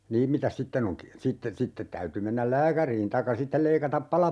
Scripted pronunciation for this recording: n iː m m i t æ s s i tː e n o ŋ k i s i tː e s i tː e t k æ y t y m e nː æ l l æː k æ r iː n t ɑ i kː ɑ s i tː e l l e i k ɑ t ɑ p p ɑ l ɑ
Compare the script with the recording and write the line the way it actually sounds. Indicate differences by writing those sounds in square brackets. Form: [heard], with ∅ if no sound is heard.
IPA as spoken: n iː m m i t æ s s i tː e n o ŋ k i s i tː e s i tː e t [t] æ y t y m e nː æ l l æː k æ r iː n t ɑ i kː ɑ s i tː e l l e i k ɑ t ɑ p p ɑ l ɑ